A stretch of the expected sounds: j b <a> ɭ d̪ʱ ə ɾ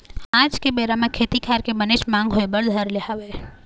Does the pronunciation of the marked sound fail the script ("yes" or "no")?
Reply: yes